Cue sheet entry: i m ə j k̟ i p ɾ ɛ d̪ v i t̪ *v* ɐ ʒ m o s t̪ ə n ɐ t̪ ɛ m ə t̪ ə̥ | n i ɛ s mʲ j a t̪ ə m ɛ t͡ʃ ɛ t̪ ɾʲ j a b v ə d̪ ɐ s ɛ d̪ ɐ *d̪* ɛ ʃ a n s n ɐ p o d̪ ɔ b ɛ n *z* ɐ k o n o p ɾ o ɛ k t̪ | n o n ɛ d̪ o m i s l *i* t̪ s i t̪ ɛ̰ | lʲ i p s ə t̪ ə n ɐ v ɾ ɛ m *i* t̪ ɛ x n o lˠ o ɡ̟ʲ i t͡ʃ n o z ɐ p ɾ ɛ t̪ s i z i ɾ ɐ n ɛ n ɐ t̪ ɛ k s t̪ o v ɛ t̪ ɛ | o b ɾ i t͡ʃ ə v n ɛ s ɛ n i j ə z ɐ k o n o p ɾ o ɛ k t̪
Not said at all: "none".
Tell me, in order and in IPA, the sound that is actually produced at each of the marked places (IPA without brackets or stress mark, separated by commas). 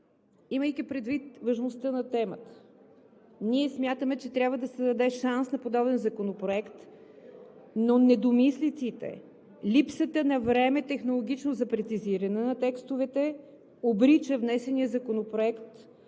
v, d̪, z, i, ɛ